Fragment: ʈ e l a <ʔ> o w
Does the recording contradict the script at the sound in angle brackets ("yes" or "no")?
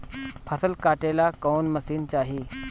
yes